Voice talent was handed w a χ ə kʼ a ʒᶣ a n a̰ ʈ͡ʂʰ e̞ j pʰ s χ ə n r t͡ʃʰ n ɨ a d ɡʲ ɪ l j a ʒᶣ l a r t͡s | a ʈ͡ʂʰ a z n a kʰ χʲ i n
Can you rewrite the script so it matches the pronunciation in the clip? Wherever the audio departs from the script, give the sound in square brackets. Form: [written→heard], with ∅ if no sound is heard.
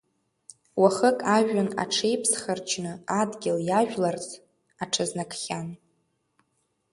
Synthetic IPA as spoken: w a χ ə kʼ a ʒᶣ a n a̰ ʈ͡ʂʰ e̞ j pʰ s χ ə [n→∅] r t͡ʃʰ n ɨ a d ɡʲ ɪ l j a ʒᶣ l a r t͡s | a ʈ͡ʂʰ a z n a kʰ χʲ [i→a] n

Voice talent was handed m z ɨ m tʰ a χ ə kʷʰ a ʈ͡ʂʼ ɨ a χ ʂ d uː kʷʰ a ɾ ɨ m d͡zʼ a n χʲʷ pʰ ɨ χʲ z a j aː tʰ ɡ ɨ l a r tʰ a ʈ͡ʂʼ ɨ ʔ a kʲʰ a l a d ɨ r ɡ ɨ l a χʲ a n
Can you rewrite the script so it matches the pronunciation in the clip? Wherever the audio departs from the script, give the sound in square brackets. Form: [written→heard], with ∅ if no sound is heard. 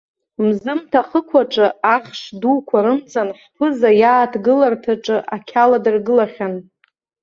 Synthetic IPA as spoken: m z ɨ m tʰ a χ ə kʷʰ a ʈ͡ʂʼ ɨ a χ ʂ d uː kʷʰ a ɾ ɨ m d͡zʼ a n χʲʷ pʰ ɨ [χʲ→∅] z a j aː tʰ ɡ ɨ l a r tʰ a ʈ͡ʂʼ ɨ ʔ a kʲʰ a l a d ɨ r ɡ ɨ l a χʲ a n

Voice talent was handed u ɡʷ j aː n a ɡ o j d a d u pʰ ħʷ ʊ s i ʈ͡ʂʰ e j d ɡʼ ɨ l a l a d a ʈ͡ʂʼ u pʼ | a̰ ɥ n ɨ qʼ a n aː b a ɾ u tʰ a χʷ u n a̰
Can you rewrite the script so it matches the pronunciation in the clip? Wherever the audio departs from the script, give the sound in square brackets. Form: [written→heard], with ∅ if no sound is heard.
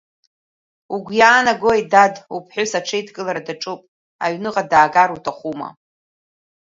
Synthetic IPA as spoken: u ɡʷ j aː n a ɡ o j d a d u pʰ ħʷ ʊ s [i→a] ʈ͡ʂʰ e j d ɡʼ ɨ l a [l→ɾ] a d a ʈ͡ʂʼ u pʼ | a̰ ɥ n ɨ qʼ a [n→d] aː [b→ɡ] a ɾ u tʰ a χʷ u [n→m] a̰

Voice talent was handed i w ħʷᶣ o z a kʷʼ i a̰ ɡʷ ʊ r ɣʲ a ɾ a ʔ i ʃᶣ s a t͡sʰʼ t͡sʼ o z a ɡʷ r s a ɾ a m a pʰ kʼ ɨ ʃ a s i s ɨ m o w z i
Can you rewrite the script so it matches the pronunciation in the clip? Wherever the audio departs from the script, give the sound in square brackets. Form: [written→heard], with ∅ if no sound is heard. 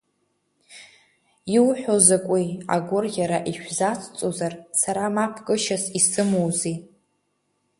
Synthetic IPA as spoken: i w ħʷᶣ o z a kʷʼ i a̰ ɡʷ ʊ r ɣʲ a ɾ a ʔ i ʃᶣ [s→z] a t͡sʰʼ t͡sʼ o z a [ɡʷ→∅] r s a ɾ a m a pʰ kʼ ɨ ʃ a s i s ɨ m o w z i

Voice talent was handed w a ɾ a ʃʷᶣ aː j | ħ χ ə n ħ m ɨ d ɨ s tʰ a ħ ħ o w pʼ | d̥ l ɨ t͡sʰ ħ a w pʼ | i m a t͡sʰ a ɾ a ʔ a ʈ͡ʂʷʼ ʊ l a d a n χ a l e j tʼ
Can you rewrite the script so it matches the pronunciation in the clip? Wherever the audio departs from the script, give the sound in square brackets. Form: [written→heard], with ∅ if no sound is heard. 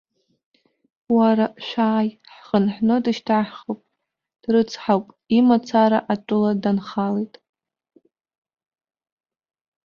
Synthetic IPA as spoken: w a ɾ a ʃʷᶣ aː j | ħ χ ə n ħ [m→n] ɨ d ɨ [s→ʃ] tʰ a ħ [ħ→χ] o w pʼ | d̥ [l→r] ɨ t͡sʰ ħ a w pʼ | i m a t͡sʰ a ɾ a ʔ a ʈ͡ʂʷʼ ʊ l a d a n χ a l e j tʼ

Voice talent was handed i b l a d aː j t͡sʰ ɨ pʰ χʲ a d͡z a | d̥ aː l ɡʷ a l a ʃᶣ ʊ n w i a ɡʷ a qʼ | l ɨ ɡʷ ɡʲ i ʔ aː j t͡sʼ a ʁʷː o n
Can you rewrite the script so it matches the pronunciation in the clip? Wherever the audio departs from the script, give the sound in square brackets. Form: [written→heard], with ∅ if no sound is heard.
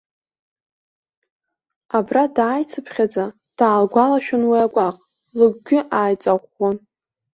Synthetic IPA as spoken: [i→a] b [l→r] a d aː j t͡sʰ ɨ pʰ χʲ a d͡z a | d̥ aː l ɡʷ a l a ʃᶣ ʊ n w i a ɡʷ a qʼ | l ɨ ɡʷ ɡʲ [i→ɪ] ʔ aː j t͡sʼ a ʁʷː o n

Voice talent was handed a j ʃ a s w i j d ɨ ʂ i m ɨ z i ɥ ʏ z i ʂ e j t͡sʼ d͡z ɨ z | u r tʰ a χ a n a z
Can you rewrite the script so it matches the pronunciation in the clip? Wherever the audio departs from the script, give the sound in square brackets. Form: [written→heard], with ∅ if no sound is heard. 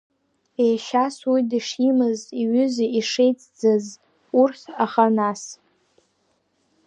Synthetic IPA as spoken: [a→e] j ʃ a s w i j d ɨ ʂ i m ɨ z i ɥ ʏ z i ʂ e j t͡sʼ d͡z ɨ z | u r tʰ a χ a n a [z→s]

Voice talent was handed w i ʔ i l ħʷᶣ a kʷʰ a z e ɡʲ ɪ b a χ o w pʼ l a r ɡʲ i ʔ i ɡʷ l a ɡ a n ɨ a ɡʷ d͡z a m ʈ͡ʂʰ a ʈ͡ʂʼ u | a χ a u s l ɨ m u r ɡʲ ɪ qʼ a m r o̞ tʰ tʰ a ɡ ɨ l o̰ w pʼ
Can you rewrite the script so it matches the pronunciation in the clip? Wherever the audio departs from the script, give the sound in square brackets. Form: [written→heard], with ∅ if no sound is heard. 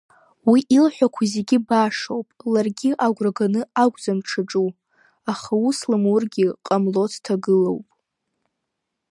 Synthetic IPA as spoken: w i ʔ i l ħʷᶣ a kʷʰ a z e ɡʲ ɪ b a [χ→ʂ] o w pʼ l a r ɡʲ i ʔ [i→a] ɡʷ [l→r] a ɡ a n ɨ a ɡʷ d͡z a m ʈ͡ʂʰ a ʈ͡ʂʼ u | a χ a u s l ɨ m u r ɡʲ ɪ qʼ a m [r→l] o̞ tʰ tʰ a ɡ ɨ l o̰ w pʼ

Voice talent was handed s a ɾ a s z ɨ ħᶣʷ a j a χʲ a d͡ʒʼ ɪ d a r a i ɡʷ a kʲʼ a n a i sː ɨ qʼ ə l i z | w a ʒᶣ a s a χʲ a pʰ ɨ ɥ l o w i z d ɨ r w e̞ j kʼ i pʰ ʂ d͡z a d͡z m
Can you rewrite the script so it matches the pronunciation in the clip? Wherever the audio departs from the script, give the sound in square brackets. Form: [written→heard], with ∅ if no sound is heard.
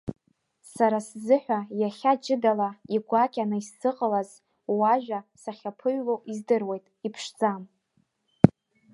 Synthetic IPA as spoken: s a ɾ a s z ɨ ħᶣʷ a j a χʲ a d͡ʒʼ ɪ d a [r→l] a i ɡʷ a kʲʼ a n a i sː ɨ qʼ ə l [i→a] z | w a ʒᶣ a s a χʲ a pʰ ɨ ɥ l o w i z d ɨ r w e̞ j [kʼ→tʼ] i pʰ ʂ d͡z a [d͡z→∅] m

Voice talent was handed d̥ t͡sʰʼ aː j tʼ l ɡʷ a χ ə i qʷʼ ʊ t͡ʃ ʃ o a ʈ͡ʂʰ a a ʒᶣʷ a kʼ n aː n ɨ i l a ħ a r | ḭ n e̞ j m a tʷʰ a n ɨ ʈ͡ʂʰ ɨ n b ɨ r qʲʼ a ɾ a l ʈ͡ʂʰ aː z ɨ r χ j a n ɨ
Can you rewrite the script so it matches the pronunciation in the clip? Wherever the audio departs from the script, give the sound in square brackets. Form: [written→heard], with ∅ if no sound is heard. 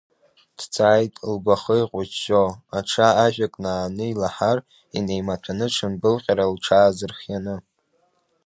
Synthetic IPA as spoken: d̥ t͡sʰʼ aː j tʼ l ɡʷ a χ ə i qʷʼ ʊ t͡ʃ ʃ o a ʈ͡ʂʰ a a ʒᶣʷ a kʼ n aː n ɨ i l a ħ a r | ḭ n e̞ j m a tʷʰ a n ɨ ʈ͡ʂʰ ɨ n b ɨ [r→l] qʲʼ a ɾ a l ʈ͡ʂʰ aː z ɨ r χ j a n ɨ

